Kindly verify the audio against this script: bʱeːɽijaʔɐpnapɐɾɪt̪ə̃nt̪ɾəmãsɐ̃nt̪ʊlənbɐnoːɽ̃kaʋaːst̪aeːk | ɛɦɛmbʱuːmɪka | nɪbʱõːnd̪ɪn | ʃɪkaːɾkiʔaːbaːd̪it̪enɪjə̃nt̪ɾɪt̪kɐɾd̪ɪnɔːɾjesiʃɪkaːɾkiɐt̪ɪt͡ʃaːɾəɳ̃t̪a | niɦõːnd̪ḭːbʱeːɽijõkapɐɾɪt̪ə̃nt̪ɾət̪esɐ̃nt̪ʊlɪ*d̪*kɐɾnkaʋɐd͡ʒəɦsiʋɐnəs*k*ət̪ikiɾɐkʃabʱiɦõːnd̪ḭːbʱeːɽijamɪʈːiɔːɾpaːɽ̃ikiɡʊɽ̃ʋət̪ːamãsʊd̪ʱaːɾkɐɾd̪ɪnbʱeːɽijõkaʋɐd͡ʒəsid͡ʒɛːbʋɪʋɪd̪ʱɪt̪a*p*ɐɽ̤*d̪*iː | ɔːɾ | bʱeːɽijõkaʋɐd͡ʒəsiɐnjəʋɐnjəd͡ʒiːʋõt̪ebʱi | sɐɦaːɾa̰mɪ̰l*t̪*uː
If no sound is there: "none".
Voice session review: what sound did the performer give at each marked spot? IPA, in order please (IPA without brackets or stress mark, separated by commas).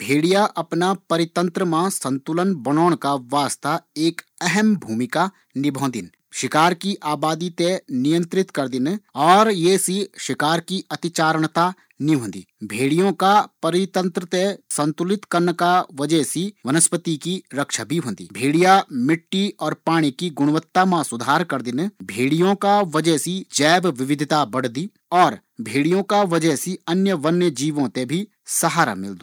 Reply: t̪, p, b, d̪, d̪